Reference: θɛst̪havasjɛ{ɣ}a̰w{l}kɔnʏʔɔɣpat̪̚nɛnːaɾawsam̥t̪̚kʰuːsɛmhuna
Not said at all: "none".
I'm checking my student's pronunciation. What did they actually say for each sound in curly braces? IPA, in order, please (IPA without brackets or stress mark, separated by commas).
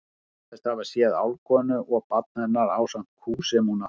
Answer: ð, l